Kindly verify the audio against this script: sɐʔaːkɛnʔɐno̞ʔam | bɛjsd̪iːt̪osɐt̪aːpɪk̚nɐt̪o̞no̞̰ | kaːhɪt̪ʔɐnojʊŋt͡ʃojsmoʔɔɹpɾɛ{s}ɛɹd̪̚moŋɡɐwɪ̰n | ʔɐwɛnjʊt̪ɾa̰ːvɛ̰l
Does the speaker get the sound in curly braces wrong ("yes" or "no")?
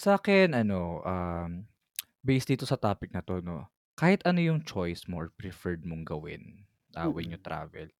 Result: yes